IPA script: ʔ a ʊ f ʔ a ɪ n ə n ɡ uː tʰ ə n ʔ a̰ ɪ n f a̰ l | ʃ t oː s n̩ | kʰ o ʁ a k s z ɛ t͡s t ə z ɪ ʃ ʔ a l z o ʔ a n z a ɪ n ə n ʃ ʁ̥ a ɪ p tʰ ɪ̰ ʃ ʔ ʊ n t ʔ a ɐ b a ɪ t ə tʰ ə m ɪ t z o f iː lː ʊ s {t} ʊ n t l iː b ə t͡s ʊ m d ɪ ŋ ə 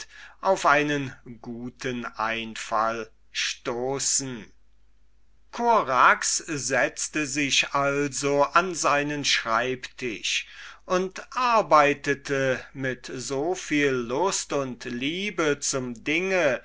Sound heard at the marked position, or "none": t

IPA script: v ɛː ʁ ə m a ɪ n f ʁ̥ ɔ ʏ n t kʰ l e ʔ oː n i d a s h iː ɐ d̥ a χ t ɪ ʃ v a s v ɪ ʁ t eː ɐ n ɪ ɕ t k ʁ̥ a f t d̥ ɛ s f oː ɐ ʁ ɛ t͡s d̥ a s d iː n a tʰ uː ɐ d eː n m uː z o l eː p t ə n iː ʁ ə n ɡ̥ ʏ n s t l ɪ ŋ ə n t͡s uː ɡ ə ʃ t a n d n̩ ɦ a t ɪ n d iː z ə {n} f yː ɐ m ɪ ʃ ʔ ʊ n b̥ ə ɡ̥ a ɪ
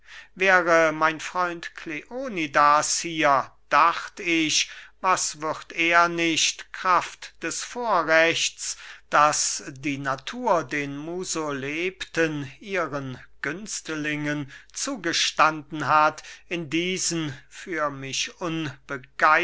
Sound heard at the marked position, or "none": n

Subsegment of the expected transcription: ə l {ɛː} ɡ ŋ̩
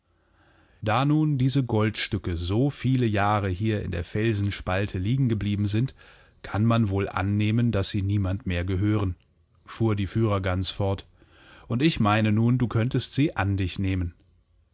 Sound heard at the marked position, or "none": iː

